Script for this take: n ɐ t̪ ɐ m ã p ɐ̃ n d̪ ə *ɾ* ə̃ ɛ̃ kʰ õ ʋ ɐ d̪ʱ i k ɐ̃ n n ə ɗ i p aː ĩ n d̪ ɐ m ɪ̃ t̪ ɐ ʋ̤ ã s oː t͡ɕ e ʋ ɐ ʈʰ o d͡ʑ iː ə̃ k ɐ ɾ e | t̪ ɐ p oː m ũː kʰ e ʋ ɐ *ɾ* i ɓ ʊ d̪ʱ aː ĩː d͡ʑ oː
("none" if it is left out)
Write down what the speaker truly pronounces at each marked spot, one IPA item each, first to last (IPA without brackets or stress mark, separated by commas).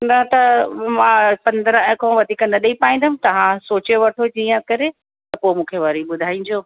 ɾ, ɾ